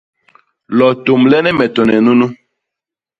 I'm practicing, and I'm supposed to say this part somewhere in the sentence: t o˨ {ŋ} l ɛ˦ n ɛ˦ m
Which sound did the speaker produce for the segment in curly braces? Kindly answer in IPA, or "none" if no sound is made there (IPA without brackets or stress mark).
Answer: m